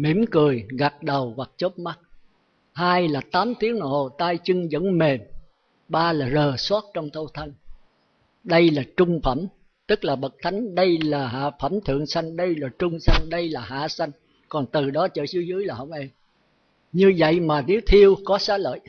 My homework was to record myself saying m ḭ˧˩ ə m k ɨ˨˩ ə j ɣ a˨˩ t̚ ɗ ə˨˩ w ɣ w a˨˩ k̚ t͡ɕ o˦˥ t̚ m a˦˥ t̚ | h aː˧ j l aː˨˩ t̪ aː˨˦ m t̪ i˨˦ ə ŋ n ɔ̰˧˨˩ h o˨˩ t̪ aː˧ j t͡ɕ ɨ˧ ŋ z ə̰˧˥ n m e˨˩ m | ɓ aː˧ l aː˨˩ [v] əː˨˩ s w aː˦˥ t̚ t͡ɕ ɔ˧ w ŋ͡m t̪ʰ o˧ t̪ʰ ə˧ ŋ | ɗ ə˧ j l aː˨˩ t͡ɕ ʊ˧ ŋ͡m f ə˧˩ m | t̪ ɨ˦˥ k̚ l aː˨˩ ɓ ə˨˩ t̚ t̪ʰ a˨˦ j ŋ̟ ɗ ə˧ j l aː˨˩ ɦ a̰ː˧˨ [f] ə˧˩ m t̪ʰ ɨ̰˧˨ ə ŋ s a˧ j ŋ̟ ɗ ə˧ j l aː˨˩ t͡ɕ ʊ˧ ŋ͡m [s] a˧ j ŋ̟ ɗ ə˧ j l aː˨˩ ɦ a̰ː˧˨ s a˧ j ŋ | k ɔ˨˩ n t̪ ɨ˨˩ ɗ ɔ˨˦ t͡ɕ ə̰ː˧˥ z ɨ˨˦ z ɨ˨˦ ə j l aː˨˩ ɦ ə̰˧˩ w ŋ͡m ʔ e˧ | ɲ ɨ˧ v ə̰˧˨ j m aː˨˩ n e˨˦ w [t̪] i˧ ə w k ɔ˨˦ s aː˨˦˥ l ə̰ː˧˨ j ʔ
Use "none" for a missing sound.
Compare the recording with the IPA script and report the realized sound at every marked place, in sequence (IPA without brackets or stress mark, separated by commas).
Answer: z, f, s, t̪ʰ